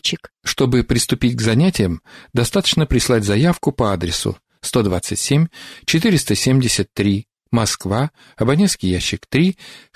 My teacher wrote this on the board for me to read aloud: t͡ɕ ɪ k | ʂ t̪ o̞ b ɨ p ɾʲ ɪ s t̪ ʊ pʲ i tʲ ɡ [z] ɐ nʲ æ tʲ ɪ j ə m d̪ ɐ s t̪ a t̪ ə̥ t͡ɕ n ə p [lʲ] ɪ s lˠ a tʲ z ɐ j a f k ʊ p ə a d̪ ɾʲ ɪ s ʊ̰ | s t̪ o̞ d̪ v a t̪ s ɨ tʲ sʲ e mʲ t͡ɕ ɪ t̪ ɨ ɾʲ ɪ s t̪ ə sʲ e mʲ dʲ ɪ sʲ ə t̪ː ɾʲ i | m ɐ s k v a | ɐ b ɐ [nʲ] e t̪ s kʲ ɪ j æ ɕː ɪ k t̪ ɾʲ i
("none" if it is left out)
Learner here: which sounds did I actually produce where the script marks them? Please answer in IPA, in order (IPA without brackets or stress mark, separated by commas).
z, ɾʲ, nʲ